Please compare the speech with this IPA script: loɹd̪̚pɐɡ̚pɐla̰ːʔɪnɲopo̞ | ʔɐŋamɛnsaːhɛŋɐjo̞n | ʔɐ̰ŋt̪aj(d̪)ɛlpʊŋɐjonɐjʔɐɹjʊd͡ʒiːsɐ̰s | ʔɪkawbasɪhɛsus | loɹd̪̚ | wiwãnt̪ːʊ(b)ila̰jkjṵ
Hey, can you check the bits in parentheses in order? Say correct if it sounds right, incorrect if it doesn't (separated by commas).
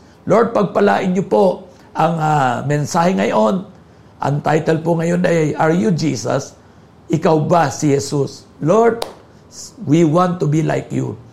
incorrect, correct